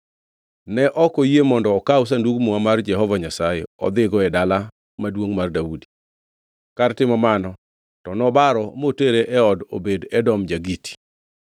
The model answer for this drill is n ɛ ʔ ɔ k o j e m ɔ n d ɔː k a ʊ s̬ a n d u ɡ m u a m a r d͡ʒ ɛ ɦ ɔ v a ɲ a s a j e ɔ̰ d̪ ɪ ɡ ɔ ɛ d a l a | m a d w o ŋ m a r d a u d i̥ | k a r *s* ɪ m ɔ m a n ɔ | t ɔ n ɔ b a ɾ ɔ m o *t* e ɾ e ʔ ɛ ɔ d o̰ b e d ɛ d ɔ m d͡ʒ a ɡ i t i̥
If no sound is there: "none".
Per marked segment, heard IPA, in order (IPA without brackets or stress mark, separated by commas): t, t